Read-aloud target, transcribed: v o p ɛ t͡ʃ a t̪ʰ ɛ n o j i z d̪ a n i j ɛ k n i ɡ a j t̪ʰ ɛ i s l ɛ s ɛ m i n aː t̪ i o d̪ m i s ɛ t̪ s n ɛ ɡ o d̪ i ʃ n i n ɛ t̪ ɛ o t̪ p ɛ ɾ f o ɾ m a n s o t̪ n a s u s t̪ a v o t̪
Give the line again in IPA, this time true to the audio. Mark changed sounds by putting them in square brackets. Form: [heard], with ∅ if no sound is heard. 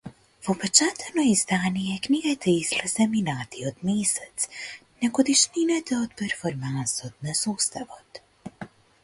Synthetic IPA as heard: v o p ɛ t͡ʃ a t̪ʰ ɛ n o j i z d̪ a n i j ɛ k n i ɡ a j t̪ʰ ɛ i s l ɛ s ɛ m i n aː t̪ i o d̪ m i s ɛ t̪ s n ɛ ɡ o d̪ i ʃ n i n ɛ t̪ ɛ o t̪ p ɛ ɾ f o ɾ m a n s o t̪ n a s u s t̪ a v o t̪

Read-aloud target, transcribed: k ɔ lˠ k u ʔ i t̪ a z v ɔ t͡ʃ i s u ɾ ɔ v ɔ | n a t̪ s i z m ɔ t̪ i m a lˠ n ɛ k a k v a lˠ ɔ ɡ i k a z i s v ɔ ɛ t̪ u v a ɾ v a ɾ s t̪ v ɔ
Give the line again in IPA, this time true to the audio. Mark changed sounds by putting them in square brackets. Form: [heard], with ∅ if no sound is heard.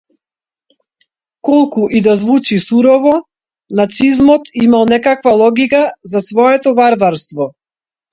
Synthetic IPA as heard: k ɔ lˠ k u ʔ i [d̪] a z v [u] t͡ʃ i s u ɾ ɔ v ɔ | n a t̪ s i z m ɔ t̪ i m a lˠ n ɛ k a k v a lˠ ɔ ɡ i k a z [a] s v ɔ ɛ t̪ [ɔ] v a ɾ v a ɾ s t̪ v ɔ

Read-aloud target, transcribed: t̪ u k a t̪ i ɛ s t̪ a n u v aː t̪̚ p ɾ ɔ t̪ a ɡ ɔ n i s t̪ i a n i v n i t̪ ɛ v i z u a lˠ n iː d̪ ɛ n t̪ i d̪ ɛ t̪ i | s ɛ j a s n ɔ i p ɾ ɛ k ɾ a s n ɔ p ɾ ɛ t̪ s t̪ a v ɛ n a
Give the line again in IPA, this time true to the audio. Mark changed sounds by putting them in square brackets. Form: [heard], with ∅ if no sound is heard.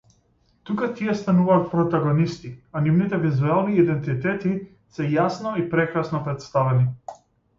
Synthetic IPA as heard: t̪ u k a t̪ i ɛ s t̪ a n u v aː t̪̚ p ɾ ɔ t̪ a ɡ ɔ n i s t̪ i a n i v n i t̪ ɛ v i z u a lˠ n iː d̪ ɛ n t̪ i [t̪] ɛ t̪ i | s ɛ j a s n ɔ i p ɾ ɛ k ɾ a s n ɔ p ɾ ɛ t̪ s t̪ a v ɛ n [i]

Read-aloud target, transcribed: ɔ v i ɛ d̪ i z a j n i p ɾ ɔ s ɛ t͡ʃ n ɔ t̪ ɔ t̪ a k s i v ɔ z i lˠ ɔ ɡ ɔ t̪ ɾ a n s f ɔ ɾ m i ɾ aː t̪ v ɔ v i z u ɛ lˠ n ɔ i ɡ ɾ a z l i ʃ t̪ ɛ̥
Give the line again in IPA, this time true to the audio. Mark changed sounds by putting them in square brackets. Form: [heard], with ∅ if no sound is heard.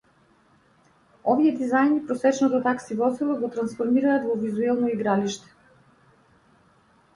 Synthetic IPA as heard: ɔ v i ɛ d̪ i z a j n i p ɾ ɔ s ɛ t͡ʃ n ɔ t̪ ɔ t̪ a k s i v ɔ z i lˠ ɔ ɡ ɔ t̪ ɾ a n s f ɔ ɾ m i ɾ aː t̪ v ɔ v i z u ɛ lˠ n ɔ i ɡ ɾ a [∅] l i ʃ t̪ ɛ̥

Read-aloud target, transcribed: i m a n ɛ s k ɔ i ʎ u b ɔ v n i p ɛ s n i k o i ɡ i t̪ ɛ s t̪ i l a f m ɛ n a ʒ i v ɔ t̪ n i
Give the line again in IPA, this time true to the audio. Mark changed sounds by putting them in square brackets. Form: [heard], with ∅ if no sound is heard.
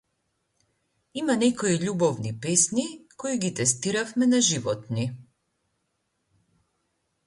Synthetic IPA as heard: i m a n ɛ [∅] k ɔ i ʎ u b ɔ v n i p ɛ s n i k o i ɡ i t̪ ɛ s t̪ i [ɾ] a f m ɛ n a ʒ i v ɔ t̪ n i

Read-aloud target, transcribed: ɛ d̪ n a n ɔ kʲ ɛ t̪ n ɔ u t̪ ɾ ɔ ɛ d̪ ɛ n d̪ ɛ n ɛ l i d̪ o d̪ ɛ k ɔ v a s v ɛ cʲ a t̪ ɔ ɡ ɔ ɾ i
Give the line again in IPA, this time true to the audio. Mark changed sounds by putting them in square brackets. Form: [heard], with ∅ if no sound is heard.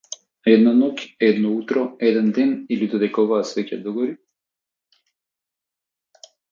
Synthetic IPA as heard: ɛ d̪ n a n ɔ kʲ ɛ [d̪] n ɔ u t̪ ɾ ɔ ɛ d̪ ɛ n d̪ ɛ n [i] l i d̪ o d̪ ɛ k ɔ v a s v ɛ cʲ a [d̪] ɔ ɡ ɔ ɾ i

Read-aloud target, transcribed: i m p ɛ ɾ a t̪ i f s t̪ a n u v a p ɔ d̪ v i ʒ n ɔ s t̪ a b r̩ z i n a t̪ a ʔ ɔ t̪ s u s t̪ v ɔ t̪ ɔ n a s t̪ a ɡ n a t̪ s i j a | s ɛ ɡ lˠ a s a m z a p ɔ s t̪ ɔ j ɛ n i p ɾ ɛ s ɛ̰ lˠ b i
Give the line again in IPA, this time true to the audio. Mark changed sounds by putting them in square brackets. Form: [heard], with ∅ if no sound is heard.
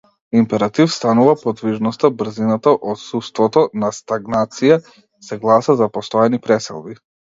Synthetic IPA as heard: i m p ɛ ɾ a t̪ i f s t̪ a n u v a p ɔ d̪ v i ʒ n ɔ s t̪ a b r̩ z i n a t̪ a ʔ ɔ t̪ s u s t̪ v ɔ t̪ ɔ n a s t̪ a ɡ n a t̪ s i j a | s ɛ ɡ lˠ a s a [∅] z a p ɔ s t̪ ɔ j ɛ n i p ɾ ɛ s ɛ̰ lˠ b i

